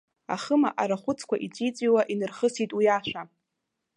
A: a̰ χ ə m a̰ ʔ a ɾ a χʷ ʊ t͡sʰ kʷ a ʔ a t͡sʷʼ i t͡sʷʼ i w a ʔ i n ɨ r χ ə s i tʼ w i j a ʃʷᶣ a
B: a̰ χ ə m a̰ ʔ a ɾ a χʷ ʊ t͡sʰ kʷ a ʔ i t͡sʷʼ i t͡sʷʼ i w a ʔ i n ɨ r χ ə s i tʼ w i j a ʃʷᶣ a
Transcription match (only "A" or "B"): B